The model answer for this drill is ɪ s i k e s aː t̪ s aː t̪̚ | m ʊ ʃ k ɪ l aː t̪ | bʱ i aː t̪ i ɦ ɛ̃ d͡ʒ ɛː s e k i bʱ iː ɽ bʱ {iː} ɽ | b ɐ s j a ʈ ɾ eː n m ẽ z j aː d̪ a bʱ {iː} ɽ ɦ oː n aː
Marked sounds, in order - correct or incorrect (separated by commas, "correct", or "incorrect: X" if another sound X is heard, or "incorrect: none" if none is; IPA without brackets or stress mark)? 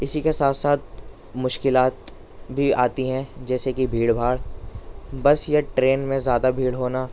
incorrect: aː, correct